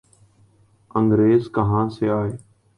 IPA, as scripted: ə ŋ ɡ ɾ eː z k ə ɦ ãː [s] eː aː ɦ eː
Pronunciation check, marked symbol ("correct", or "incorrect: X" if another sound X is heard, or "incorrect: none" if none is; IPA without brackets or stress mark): correct